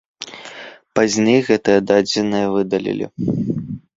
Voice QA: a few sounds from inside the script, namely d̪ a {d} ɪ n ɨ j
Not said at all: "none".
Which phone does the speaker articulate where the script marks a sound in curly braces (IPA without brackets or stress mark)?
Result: d͡zʲ